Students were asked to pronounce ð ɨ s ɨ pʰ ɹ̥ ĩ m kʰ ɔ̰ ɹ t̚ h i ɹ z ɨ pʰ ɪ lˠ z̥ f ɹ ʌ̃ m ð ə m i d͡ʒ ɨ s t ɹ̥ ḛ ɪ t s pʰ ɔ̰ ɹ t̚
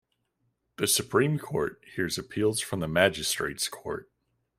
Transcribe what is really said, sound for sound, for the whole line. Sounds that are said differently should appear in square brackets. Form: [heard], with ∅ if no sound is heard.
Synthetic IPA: ð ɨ s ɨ pʰ ɹ̥ ĩ m kʰ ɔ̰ ɹ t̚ h i ɹ z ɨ pʰ [i] lˠ z̥ f ɹ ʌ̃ m ð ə m [æ] d͡ʒ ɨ s t ɹ̥ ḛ ɪ t s [kʰ] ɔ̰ ɹ t̚